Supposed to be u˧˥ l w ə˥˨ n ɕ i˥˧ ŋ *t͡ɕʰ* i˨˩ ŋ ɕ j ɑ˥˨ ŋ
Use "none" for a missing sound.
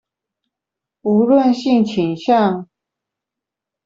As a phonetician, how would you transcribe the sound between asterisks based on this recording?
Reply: t͡ɕʰ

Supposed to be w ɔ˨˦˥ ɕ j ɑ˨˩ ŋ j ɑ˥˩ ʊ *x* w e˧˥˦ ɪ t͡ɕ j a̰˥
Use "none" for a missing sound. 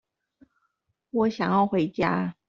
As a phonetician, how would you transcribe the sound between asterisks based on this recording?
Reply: x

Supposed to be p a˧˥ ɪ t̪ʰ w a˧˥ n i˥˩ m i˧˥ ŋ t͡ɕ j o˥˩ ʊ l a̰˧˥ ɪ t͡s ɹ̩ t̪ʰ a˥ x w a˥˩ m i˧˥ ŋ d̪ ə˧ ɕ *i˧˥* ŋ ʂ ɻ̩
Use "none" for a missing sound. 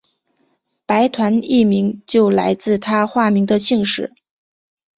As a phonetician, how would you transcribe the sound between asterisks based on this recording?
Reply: i˥˧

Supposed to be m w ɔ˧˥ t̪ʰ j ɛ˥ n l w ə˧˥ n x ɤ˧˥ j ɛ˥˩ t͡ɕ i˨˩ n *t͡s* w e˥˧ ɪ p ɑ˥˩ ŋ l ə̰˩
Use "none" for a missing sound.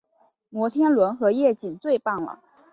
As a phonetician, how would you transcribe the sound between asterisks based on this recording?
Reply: t͡s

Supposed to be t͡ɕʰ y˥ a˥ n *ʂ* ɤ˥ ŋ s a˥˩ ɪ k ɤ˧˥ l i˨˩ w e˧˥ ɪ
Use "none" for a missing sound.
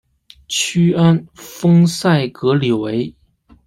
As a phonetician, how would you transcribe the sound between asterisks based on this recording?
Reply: f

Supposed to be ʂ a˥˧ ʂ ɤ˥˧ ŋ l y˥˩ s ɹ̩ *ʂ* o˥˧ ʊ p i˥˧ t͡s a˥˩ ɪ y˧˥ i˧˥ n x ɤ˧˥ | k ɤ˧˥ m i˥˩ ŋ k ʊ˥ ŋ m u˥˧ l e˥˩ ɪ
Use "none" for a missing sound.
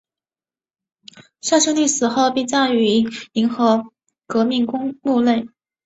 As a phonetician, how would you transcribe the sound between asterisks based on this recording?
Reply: x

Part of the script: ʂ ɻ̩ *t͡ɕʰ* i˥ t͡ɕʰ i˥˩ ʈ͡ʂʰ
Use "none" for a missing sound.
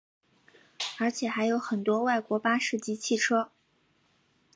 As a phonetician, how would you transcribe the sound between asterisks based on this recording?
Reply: t͡ɕ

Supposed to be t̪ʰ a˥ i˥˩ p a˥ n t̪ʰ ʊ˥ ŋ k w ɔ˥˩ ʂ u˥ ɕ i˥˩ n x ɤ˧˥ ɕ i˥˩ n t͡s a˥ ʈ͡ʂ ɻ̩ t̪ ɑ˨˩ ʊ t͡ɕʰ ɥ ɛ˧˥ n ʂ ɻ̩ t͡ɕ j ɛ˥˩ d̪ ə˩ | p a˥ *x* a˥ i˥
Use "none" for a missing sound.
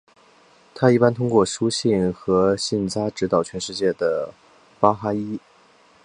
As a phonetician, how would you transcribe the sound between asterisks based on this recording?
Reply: x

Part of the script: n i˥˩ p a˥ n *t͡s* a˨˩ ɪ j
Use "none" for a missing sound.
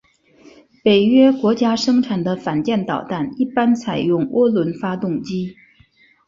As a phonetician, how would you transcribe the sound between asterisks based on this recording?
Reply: t͡sʰ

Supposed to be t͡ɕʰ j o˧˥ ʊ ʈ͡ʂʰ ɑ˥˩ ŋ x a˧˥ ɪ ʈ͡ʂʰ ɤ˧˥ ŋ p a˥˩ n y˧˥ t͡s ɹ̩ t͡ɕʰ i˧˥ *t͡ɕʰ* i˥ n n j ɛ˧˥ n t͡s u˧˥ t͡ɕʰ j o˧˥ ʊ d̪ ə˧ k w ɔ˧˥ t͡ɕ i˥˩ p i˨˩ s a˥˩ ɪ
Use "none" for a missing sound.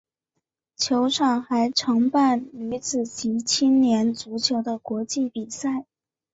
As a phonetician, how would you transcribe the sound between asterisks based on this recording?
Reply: t͡ɕʰ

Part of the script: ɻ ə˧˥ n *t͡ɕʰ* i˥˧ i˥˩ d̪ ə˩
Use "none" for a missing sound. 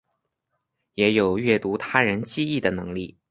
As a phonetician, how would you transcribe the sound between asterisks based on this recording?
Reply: t͡ɕ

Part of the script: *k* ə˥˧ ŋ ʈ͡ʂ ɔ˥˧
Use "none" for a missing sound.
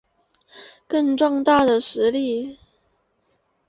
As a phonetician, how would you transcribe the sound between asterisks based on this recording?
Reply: k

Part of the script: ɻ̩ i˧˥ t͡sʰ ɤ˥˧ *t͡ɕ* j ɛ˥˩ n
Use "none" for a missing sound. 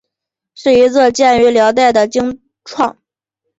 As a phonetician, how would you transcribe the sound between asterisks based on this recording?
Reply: t͡ɕ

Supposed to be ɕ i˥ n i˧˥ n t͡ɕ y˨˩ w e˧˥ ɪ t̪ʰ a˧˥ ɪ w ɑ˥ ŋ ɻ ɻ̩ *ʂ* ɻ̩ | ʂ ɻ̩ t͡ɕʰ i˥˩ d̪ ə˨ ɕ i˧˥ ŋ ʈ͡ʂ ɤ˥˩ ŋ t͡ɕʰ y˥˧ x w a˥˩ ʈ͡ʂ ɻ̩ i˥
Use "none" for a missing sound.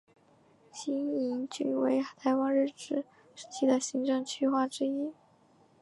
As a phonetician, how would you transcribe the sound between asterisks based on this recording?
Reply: ʈ͡ʂ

